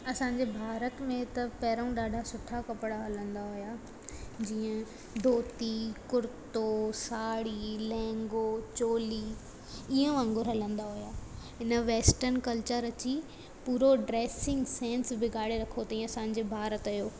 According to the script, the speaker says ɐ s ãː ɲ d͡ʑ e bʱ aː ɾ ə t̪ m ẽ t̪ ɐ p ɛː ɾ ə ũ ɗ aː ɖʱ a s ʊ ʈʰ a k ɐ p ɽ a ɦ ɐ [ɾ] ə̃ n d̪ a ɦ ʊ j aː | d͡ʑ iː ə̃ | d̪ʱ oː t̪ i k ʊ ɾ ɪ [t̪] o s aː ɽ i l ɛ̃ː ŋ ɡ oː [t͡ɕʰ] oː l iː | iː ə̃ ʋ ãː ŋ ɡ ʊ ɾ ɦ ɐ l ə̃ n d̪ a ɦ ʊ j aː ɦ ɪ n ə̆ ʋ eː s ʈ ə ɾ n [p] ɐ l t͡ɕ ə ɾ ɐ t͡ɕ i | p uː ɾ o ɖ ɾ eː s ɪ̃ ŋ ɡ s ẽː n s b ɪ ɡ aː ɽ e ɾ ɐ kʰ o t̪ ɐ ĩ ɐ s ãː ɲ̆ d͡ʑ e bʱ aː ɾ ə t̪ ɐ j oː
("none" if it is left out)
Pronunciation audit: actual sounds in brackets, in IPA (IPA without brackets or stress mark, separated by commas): l, t̪, t͡ɕ, k